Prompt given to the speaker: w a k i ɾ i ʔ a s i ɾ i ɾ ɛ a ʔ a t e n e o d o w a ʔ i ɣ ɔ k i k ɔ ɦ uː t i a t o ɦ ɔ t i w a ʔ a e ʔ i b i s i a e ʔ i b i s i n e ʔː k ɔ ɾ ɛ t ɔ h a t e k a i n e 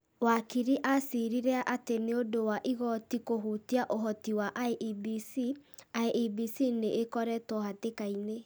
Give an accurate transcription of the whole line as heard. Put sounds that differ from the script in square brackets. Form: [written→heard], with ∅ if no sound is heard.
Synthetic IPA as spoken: w a k i ɾ i ʔ a s i ɾ i ɾ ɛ a ʔ a t e n e o d o w a ʔ i ɣ ɔ [k→t] i k [ɔ→o] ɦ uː t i a [t→ʔ] o ɦ ɔ t i w a ʔ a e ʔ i b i s i a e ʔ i b i s i n e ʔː k ɔ ɾ ɛ t ɔ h a t e k a i n e